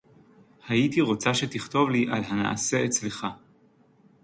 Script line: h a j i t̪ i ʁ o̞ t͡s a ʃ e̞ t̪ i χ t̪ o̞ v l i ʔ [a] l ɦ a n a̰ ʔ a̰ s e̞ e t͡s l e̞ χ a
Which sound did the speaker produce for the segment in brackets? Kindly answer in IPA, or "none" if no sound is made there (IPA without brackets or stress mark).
a